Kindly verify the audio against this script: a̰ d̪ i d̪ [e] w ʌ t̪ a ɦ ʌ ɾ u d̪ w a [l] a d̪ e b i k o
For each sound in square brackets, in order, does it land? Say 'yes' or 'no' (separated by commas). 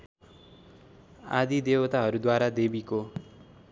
yes, no